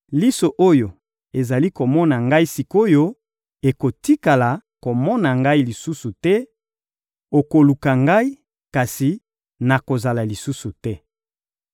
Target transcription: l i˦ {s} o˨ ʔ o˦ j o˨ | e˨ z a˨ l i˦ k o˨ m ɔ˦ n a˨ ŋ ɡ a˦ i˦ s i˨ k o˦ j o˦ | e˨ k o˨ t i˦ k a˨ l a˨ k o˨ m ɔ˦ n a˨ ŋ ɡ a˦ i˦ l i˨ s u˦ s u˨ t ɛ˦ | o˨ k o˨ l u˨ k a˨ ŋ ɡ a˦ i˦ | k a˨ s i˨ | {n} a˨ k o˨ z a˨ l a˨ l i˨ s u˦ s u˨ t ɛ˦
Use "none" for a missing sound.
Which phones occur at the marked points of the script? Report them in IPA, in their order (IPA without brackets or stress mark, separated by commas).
s, n